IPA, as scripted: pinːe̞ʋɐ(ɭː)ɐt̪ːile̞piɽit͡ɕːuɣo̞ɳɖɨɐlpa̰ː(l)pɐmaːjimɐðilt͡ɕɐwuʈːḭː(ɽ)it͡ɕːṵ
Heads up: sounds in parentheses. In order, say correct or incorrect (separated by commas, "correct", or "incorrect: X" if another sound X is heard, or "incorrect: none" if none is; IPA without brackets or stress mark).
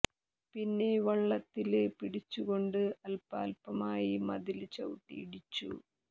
correct, correct, correct